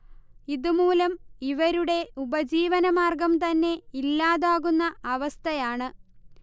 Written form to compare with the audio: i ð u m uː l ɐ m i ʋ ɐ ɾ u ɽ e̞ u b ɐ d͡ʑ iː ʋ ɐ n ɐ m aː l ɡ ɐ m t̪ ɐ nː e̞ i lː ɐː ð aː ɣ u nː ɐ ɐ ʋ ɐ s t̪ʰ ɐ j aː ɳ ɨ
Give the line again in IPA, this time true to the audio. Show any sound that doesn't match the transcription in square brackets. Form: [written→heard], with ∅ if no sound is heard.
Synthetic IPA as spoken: i ð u m uː l ɐ m i ʋ ɐ ɾ u ɽ e̞ u b ɐ d͡ʑ iː ʋ ɐ n ɐ m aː [l→r] ɡ ɐ m t̪ ɐ nː e̞ i lː [ɐː→aː] ð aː ɣ u nː ɐ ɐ ʋ ɐ s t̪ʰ ɐ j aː ɳ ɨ